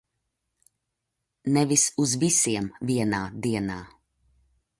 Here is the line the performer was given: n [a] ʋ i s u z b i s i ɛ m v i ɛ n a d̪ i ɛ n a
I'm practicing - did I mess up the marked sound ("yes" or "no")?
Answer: yes